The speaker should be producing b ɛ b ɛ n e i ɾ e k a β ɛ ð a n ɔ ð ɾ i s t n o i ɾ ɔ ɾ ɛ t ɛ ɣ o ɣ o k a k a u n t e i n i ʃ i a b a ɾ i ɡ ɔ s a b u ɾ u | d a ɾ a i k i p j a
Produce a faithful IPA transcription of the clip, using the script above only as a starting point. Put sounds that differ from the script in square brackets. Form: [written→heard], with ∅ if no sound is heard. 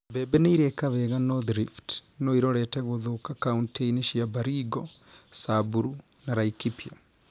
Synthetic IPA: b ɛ b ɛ n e i ɾ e k a β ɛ [ð→ɣ] a n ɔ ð ɾ i [s→f] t n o i ɾ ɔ ɾ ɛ t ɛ ɣ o [ɣ→ð] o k a k a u n t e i n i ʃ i a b a ɾ i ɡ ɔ s a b u ɾ u | [d→n] a ɾ a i k i p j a

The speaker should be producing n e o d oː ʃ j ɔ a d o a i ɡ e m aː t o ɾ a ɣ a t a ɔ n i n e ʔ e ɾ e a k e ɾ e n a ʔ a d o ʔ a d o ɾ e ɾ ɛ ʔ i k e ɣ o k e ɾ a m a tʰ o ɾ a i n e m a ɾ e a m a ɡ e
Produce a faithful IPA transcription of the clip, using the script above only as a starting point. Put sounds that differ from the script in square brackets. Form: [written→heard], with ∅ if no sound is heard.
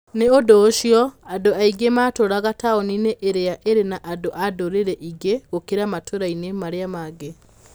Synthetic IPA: n e o d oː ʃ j ɔ a d o a i ɡ e m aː t o ɾ a ɣ a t a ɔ n i n e ʔ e ɾ e a [k→ʔ] e ɾ e n a ʔ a d o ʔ a d o ɾ e ɾ ɛ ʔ i [k→ɡ] e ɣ o k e ɾ a m a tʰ o ɾ a i n e m a ɾ e a m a ɡ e

